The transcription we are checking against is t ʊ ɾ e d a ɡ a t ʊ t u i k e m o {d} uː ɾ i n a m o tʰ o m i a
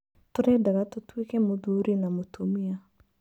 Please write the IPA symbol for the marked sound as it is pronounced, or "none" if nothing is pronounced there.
d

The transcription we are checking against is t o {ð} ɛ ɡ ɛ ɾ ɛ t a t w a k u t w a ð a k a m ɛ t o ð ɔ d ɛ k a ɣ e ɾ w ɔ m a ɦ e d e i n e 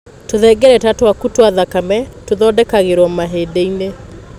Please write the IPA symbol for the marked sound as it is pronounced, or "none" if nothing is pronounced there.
ð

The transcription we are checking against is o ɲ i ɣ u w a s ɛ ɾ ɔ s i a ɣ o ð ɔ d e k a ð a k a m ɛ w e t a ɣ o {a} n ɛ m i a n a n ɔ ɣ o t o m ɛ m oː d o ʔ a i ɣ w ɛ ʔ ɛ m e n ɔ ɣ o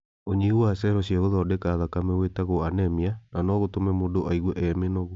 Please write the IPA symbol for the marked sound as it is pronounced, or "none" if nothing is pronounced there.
a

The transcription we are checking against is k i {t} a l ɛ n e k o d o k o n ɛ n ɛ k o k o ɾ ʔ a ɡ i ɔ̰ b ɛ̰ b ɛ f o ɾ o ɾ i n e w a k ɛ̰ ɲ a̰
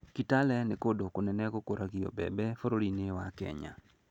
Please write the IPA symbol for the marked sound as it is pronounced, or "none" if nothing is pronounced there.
t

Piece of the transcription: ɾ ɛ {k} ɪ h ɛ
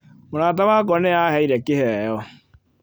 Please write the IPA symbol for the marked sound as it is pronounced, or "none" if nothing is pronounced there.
k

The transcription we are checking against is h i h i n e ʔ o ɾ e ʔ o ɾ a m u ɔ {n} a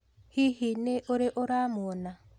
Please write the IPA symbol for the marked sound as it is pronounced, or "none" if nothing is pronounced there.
n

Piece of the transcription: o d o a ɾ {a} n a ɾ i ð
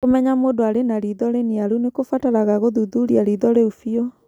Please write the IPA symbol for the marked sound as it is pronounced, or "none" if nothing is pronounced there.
e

